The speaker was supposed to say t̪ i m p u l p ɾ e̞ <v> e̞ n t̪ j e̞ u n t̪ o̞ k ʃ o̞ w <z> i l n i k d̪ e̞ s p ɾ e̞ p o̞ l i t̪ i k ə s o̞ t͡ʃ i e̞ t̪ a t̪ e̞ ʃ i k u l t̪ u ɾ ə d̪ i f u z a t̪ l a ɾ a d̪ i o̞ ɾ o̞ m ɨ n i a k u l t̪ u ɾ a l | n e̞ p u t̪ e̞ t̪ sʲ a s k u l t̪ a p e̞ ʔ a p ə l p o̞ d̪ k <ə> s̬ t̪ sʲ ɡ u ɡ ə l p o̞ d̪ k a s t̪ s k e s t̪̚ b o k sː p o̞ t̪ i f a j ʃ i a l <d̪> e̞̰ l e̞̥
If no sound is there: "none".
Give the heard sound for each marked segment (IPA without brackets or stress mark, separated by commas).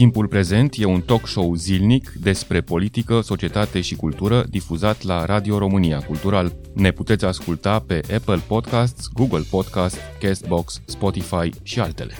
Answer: z, z, a, t̪